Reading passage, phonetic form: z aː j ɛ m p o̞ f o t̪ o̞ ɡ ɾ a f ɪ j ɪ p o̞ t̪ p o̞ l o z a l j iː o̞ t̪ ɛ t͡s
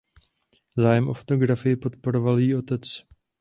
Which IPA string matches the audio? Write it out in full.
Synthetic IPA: z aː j ɛ m ʔ o̞ f o t̪ o̞ ɡ ɾ a f ɪ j ɪ p o̞ t̪ p o̞ ɾ o v a l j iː o̞ t̪ ɛ t͡s

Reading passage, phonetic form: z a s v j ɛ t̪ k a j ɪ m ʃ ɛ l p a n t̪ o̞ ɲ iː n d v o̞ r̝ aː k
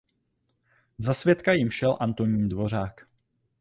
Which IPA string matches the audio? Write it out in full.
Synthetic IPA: z a s v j ɛ t̪ k a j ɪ m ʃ ɛ l ʔ a n t̪ o̞ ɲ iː n d v o̞ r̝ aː k

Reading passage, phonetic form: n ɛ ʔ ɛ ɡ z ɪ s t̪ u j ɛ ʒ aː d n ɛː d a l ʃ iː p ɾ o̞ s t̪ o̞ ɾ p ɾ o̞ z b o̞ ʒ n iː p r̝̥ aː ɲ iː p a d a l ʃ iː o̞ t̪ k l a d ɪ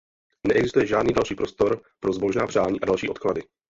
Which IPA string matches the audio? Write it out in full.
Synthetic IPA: n ɛ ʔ ɛ ɡ z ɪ s t̪ u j ɛ ʒ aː d n iː d a l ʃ iː p ɾ o̞ s t̪ o̞ ɾ p ɾ o̞ z b o̞ ʒ n aː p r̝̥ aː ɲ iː ʔ a d a l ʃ iː o̞ t̪ k l a d ɪ

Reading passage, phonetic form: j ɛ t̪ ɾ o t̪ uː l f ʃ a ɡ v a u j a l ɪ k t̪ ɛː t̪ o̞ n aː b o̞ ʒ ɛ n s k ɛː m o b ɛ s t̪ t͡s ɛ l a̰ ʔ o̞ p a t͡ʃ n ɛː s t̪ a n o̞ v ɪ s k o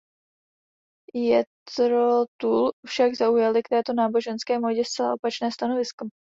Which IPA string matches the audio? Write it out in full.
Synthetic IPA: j ɛ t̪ ɾ o t̪ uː l f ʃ a ɡ z a u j a l ɪ k t̪ ɛː t̪ o̞ n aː b o̞ ʒ ɛ n s k ɛː m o ɟ ɛ s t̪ t͡s ɛ l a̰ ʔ o̞ p a t͡ʃ n ɛː s t̪ a n o̞ v ɪ s k o

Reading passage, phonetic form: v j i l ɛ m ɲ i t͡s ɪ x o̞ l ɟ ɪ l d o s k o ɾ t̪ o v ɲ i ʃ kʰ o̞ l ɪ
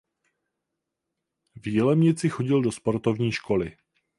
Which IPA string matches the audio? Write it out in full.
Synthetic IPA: v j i l ɛ m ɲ ɪ t͡s ɪ x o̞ ɟ ɪ l d o s p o ɾ t̪ o v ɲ iː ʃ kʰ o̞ l ɪ

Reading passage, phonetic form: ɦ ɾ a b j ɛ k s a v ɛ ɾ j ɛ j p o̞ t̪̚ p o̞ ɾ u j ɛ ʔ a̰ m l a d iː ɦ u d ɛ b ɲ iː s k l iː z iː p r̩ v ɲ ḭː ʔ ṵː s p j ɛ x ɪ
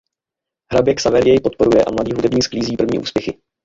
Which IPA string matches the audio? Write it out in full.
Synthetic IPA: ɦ ɾ a b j ɛ k s a v ɛ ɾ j ɛ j p o̞ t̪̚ p o̞ ɾ u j ɛ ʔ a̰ m l a d iː ɦ u d ɛ b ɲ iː s k l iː z iː p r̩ v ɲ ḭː ʔ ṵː s p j ɛ x ɪ

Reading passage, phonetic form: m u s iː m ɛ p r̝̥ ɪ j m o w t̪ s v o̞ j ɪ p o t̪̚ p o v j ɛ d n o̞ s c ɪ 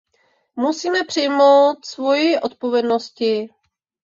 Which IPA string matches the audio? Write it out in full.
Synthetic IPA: m u s iː m ɛ p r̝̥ ɪ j m o w t̪ s v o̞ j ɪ ʔ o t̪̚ p o v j ɛ d n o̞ s c ɪ

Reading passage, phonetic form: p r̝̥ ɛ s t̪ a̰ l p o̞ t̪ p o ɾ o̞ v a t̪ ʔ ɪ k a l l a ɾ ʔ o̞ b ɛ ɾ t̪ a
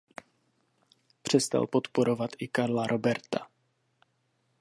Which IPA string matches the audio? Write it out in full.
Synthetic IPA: p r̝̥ ɛ s t̪ a̰ l p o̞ t̪ p o ɾ o̞ v a t̪ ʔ ɪ k a ɾ l a ɾ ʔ o̞ b ɛ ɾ t̪ a

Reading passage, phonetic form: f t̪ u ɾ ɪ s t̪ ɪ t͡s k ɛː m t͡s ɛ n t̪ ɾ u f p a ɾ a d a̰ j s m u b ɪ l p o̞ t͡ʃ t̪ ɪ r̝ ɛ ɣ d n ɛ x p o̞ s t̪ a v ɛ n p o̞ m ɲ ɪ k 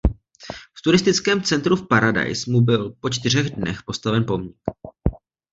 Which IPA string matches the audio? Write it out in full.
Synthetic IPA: f t̪ u ɾ ɪ s t̪ ɪ t͡s k ɛː m t͡s ɛ n t̪ ɾ u f p a ɾ a d a̰ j s m u b ɪ l p o̞ t͡ʃ t̪ ɪ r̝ ɛ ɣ d n ɛ x p o̞ s t̪ a v ɛ n p o̞ m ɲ ɪ k

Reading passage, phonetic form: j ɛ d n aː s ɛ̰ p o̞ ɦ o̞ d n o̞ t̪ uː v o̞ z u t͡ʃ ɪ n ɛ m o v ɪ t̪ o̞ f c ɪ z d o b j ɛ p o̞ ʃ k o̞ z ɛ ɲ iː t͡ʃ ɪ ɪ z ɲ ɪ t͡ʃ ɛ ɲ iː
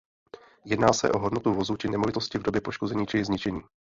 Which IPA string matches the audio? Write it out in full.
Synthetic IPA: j ɛ d n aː s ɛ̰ ʔ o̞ ɦ o̞ d n o̞ t̪ u v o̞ z u t͡ʃ ɪ n ɛ m o v ɪ t̪ o̞ s c ɪ v d o b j ɛ p o̞ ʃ k o̞ z ɛ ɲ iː t͡ʃ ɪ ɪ z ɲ ɪ t͡ʃ ɛ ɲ iː

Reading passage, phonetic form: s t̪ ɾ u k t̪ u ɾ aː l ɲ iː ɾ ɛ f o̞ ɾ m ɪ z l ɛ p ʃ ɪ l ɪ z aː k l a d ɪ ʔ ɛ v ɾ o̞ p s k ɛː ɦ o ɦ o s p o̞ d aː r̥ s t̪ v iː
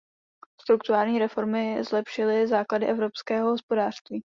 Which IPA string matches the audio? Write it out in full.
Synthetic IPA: s t̪ ɾ u k t̪ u ɾ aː l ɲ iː ɾ ɛ f o̞ ɾ m ɪ z l ɛ p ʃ ɪ l ɪ z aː k l a d ɪ ʔ ɛ v ɾ o̞ p s k ɛː ɦ o ɦ o s p o̞ d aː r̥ s t̪ v iː

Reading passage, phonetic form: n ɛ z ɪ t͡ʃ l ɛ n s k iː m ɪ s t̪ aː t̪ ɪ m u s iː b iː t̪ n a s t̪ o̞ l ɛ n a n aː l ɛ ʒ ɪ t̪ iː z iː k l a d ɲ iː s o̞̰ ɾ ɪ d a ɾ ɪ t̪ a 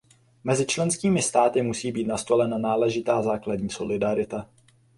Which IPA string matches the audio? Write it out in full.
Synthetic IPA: m ɛ z ɪ t͡ʃ l ɛ n s k iː m ɪ s t̪ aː t̪ ɪ m u s iː b iː t̪ n a s t̪ o̞ l ɛ n a n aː l ɛ ʒ ɪ t̪ aː z aː k l a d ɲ iː s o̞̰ l ɪ d a ɾ ɪ t̪ a

